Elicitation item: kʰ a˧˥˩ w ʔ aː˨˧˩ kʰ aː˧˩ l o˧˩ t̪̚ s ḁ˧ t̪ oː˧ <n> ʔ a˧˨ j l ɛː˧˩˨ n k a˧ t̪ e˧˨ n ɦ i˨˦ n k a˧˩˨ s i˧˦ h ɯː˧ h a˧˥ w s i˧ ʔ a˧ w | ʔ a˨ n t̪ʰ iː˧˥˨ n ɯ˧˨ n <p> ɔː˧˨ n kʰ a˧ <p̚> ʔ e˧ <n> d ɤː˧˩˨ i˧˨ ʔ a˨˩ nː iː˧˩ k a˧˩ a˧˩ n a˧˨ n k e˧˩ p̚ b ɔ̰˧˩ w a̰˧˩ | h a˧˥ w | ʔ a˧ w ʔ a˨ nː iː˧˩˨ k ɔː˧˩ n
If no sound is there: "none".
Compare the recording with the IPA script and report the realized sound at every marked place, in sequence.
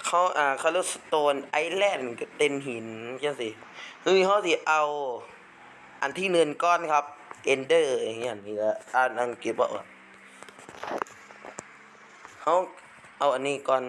n, k, p̚, n

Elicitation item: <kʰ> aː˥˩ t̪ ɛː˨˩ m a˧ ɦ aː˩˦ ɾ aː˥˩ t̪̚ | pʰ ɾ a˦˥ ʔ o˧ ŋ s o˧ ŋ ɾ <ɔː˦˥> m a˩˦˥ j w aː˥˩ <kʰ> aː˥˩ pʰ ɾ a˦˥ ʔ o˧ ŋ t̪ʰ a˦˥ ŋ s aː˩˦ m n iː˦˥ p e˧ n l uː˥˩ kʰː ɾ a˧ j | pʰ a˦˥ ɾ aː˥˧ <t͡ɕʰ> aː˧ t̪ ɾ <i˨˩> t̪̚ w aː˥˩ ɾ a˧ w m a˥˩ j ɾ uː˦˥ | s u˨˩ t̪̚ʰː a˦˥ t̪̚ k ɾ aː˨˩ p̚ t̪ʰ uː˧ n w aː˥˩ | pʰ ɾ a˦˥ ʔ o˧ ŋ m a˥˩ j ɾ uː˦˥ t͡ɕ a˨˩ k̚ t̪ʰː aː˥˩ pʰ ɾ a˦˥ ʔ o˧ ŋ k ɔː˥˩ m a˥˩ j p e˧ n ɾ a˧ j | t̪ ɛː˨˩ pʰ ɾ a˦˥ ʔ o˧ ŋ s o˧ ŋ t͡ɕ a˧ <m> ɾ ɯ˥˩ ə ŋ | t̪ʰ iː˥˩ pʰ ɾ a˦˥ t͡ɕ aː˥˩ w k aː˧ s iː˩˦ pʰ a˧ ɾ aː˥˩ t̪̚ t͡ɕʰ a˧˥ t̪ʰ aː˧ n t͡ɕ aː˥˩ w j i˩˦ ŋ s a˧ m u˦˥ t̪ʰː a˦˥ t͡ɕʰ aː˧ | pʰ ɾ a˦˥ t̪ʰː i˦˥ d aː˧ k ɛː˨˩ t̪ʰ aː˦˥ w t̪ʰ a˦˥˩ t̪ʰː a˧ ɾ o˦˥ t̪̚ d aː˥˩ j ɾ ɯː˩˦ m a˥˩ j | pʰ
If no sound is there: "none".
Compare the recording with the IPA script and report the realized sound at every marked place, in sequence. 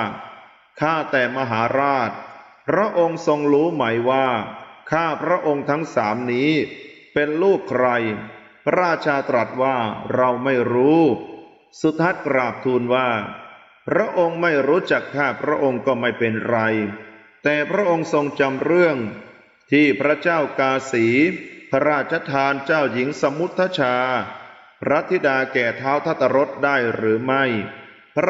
kʰ, uː˦˥, kʰ, t͡ɕʰ, a˨˩, m

